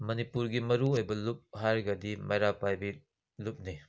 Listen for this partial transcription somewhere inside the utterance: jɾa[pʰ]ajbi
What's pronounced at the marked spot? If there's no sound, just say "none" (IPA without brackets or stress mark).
p